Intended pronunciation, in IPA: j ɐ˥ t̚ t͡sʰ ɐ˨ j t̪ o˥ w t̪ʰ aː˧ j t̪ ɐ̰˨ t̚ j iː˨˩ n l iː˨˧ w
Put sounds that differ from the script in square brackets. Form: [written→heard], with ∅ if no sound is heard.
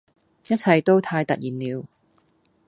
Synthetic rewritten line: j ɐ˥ t̚ t͡sʰ ɐ˨ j t̪ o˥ w t̪ʰ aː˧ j t̪ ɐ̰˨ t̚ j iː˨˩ n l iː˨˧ w